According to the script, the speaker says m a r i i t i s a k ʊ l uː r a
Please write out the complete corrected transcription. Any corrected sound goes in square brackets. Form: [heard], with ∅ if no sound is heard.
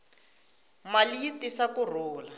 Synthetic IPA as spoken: m a [l] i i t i s a k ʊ [r] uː [l] a

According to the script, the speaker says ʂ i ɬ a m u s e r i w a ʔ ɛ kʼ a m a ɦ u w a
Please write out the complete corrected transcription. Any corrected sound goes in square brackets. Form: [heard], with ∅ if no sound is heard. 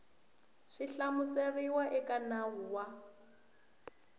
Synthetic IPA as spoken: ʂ i ɬ a m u s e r i w a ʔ ɛ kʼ a [n] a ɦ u w a

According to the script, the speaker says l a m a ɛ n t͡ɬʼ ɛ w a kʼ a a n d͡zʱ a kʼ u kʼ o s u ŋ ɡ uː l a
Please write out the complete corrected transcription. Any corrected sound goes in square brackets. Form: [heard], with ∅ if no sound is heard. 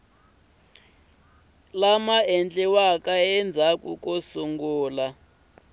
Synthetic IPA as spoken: l a m a ɛ n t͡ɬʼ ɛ w a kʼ a [ɛ] n d͡zʱ a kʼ u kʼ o s u ŋ ɡ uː l a

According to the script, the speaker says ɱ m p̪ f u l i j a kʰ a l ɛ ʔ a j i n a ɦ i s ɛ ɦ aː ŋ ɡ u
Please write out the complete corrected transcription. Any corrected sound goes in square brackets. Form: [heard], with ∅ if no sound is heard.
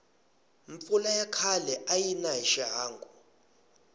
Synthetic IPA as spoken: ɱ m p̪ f u l [a] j a kʰ a l ɛ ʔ a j i n a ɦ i [ʃ] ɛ ɦ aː ŋ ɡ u

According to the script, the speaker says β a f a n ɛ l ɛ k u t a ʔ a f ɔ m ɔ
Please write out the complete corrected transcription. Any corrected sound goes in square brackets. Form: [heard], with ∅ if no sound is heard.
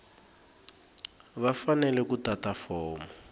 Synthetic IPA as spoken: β a f a n ɛ l ɛ k u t a [t] a f [ɔː] m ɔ

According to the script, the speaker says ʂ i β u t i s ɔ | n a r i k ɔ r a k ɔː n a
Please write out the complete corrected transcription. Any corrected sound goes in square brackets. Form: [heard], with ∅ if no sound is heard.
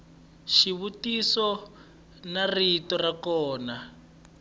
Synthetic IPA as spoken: [ʃ] i β u t i s ɔ | n a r i [t] ɔ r a k ɔː n a

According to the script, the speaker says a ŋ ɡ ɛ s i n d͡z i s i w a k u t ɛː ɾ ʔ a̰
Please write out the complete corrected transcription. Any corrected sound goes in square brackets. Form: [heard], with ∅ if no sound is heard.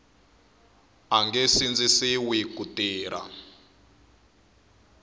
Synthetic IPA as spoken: a ŋ ɡ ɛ s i n d͡z i s i w [i] k u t [iː] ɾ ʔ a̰

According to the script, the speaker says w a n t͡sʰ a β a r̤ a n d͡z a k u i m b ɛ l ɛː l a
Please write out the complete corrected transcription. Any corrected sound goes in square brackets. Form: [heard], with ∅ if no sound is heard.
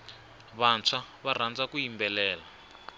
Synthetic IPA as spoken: [β] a n t͡sʰ a β a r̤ a n d͡z a k u i m b ɛ l ɛː l a

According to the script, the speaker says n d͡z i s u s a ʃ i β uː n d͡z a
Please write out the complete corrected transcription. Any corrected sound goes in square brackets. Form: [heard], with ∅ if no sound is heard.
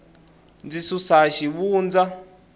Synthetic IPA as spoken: n d͡z i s u s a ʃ i β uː n d͡z a

